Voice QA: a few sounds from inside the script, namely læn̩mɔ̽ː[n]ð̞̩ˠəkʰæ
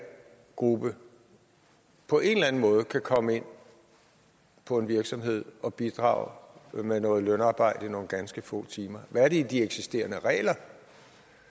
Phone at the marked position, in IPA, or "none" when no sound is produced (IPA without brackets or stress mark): none